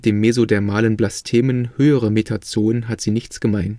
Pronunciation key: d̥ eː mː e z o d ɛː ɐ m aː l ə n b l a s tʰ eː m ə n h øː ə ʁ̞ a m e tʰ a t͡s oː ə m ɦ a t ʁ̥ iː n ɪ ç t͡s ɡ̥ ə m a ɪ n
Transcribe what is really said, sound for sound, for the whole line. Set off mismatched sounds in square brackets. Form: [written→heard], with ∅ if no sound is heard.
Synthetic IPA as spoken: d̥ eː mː e z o d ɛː ɐ m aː l ə n b l a s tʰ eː m ə n h øː ə ʁ̞ [a→ə] m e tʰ a t͡s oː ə [m→n] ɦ a t [ʁ̥→z̥] iː n ɪ ç t͡s ɡ̥ ə m a ɪ n